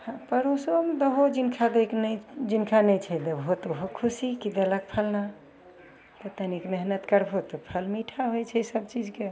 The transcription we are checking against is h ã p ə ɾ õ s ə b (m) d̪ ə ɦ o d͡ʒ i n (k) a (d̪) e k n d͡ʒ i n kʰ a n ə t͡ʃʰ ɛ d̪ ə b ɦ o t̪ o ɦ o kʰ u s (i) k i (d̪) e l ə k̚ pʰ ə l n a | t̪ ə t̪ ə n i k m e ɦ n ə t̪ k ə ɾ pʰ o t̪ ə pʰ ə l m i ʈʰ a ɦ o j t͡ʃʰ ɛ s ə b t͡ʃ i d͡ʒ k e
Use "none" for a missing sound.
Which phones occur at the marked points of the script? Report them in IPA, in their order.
m, kʰ, d̪, i, d̪

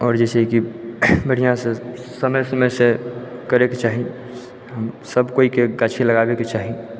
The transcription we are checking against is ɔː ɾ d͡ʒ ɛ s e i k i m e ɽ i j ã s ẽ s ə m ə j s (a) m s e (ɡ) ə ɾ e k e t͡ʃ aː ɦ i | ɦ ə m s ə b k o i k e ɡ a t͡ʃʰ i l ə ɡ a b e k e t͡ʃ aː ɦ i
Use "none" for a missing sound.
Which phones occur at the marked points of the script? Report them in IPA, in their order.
ə, k

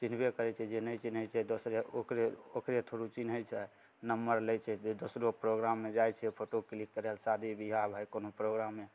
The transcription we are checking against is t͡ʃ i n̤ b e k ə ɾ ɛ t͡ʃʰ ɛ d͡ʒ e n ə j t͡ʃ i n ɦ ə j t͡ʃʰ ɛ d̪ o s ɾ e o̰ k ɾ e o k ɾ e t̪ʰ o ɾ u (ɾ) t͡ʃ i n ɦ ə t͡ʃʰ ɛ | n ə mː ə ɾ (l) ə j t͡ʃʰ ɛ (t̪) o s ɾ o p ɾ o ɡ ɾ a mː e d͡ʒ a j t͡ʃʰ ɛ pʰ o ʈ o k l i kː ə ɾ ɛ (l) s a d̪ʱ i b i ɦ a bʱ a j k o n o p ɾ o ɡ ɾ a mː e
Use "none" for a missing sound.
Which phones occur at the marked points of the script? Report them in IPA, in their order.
none, l, d̪, l

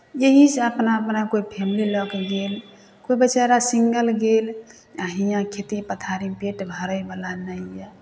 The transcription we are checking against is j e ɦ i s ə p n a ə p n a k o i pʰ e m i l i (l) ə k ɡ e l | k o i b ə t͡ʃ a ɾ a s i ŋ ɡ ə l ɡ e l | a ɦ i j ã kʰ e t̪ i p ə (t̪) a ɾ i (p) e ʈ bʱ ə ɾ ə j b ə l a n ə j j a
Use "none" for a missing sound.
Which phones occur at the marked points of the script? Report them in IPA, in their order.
l, t̪ʰ, p

